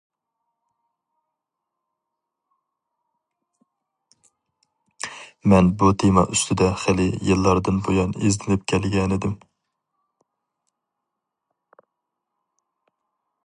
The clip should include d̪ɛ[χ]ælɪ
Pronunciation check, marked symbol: correct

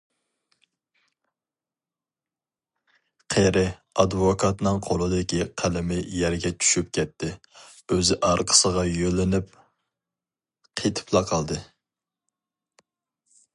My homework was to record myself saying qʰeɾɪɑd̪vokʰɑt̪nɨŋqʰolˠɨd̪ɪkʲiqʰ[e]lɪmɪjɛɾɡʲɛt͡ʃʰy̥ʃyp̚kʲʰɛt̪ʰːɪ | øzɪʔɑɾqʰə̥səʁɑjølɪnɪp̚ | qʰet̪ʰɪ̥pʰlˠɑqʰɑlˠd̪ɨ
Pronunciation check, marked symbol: incorrect: æ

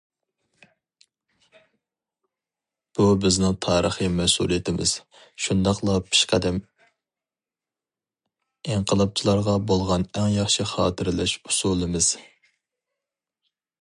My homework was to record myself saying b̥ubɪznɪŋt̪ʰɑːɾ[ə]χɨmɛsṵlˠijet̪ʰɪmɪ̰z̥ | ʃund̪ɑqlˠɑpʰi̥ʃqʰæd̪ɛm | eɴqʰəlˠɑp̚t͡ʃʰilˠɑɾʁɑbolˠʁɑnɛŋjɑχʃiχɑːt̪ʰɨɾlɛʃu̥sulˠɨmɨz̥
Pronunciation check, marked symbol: correct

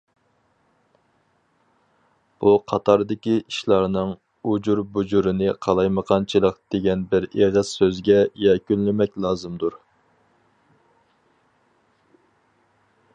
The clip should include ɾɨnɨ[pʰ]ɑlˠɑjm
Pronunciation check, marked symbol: incorrect: qʰ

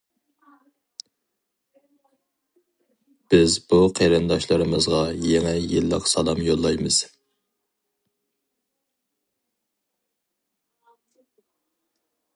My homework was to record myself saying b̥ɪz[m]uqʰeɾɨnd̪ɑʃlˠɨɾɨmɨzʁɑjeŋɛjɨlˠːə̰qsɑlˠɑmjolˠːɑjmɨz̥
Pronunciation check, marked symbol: incorrect: b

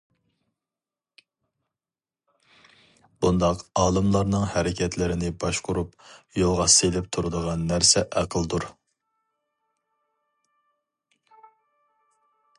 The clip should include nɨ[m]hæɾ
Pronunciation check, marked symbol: incorrect: ŋ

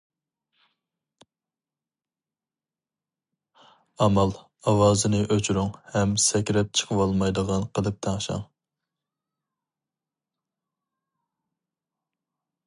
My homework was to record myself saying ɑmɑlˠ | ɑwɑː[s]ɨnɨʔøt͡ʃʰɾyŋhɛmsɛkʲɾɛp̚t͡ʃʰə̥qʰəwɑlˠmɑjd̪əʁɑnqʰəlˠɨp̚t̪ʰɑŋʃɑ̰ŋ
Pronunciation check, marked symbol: incorrect: z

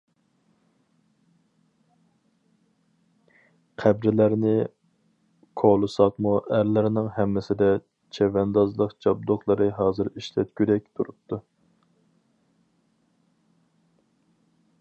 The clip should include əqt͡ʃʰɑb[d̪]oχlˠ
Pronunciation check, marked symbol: correct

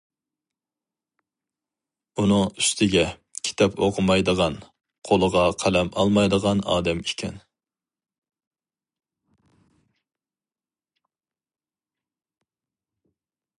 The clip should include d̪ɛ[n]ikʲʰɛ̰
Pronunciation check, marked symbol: incorrect: m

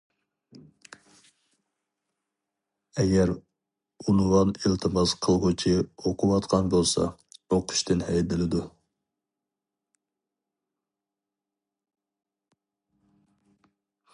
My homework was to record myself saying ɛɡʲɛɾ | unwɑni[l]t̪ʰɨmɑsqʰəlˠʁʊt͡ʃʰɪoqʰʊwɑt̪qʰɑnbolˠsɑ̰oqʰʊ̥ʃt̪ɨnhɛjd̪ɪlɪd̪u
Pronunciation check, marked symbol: correct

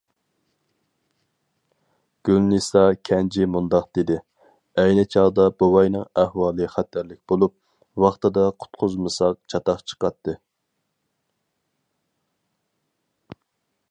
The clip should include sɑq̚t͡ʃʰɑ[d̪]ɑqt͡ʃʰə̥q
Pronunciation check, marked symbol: incorrect: t̪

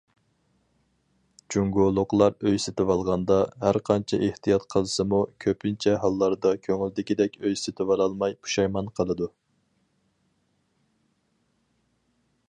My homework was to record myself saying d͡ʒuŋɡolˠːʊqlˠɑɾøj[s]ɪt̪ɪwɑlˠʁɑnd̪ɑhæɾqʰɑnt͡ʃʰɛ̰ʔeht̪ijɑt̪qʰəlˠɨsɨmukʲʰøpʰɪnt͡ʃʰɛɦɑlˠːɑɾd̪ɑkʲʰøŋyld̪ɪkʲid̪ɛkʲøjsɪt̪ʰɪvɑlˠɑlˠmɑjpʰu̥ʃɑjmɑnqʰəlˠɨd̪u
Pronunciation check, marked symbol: correct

